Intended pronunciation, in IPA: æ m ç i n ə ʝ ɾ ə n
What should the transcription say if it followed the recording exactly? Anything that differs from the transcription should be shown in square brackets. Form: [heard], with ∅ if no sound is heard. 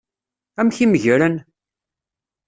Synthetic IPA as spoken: æ m ç i [m] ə ʝ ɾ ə n